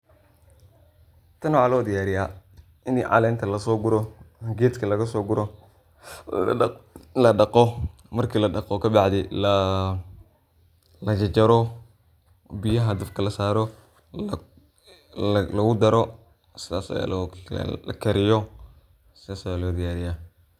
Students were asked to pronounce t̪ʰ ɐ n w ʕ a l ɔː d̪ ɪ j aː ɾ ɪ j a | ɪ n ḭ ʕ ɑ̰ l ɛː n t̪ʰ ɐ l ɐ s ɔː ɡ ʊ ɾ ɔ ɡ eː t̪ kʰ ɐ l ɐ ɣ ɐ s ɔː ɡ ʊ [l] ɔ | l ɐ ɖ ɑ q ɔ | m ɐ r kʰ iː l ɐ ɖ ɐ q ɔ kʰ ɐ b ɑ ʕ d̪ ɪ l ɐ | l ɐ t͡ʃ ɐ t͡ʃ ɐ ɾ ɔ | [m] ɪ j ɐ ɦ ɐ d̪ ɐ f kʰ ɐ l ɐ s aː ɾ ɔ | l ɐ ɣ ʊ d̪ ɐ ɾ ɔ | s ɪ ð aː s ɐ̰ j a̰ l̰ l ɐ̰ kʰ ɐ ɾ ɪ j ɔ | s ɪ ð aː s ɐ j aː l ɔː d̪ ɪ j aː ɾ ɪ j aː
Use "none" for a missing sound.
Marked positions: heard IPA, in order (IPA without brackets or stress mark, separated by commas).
ɾ, b